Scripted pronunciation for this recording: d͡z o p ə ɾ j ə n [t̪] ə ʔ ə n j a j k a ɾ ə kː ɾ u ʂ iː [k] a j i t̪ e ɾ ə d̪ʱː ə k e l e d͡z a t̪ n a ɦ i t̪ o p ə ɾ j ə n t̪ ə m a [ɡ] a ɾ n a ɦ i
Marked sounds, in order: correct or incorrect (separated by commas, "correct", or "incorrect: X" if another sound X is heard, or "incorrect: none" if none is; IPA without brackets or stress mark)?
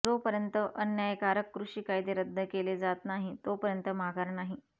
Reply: correct, correct, correct